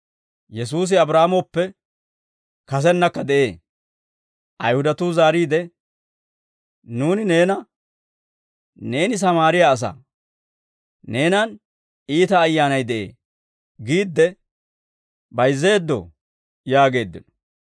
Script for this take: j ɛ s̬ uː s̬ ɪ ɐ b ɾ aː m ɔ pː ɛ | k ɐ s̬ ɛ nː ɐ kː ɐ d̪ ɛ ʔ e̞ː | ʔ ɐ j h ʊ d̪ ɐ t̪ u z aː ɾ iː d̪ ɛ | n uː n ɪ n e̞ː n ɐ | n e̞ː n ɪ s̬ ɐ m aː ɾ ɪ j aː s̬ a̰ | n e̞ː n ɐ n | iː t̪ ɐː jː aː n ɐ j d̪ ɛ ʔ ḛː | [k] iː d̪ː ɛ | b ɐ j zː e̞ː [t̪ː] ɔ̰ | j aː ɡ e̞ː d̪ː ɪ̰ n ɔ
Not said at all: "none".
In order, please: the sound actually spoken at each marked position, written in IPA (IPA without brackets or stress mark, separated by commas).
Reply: ɡ, d̪ː